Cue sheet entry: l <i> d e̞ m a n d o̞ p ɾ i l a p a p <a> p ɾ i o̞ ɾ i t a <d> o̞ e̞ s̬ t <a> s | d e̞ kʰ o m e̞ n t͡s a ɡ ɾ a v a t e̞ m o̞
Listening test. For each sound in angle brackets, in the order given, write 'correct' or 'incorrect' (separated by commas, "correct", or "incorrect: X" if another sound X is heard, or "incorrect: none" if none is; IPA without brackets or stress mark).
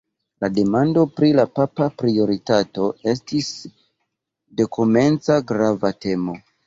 incorrect: a, correct, incorrect: t, incorrect: i